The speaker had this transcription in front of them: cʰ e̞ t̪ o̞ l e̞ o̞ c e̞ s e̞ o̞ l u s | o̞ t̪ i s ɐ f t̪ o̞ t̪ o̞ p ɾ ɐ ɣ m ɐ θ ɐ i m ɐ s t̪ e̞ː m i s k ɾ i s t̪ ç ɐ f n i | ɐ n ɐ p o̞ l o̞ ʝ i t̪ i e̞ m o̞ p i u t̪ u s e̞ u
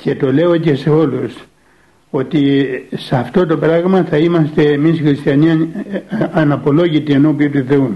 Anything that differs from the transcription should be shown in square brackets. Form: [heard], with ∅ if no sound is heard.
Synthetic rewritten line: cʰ e̞ t̪ o̞ l e̞ o̞ c e̞ s e̞ o̞ l u s | o̞ t̪ i s ɐ f t̪ o̞ t̪ o̞ p ɾ ɐ ɣ m ɐ θ ɐ i m ɐ s t̪ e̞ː m i s [x] ɾ i s t̪ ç ɐ [∅] n i | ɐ n ɐ p o̞ l o̞ ʝ i t̪ i e̞ [n] o̞ p i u t̪ u [θ] e̞ u